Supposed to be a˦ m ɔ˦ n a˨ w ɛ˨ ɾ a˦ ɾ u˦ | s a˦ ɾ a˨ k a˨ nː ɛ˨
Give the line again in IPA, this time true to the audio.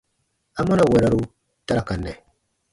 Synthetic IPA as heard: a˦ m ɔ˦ n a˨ w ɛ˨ ɾ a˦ ɾ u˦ | t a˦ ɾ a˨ k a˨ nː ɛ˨